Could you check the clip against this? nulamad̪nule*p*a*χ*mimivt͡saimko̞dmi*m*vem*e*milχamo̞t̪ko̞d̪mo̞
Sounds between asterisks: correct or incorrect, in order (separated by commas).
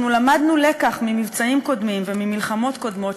incorrect, correct, correct, incorrect